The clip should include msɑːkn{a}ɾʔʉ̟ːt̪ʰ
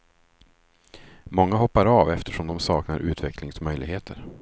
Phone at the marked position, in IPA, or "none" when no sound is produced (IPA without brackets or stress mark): a